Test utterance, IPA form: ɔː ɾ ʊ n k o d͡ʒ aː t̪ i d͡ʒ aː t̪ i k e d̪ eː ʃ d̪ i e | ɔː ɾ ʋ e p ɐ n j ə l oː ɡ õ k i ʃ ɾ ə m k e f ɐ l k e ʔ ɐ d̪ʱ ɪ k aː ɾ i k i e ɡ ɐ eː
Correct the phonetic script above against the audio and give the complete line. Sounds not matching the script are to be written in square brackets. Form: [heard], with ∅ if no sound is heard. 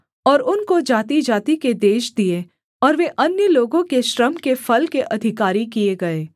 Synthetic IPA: ɔː ɾ ʊ n k o d͡ʒ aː t̪ i d͡ʒ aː t̪ i k e d̪ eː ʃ d̪ i e | ɔː ɾ ʋ e [ʔ] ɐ n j ə l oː ɡ õ k [e] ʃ ɾ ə m k e f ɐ l k e ʔ ɐ d̪ʱ ɪ k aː ɾ i k i e ɡ ɐ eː